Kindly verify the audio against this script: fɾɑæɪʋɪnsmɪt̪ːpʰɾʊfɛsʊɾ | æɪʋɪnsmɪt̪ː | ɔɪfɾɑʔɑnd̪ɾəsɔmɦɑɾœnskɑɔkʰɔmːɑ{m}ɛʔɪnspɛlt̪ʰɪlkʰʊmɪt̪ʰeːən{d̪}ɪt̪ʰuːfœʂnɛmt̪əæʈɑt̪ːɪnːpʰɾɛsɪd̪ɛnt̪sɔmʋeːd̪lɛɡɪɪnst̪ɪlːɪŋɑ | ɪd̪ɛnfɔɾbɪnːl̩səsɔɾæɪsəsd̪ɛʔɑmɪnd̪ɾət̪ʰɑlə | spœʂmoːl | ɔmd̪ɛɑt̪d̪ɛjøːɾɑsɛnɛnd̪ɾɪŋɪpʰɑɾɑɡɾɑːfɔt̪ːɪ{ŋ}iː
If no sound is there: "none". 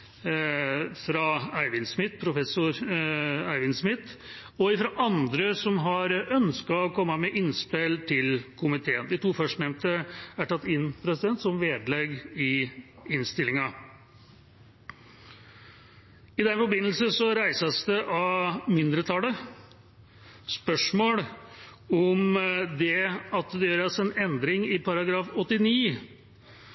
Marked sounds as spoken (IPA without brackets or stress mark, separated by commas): m, d̪, n